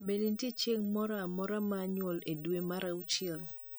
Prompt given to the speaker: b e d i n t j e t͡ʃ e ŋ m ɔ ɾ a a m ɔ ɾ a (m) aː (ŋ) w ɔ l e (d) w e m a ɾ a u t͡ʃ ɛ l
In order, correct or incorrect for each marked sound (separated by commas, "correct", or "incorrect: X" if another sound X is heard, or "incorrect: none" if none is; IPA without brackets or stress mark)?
correct, incorrect: ɲ, correct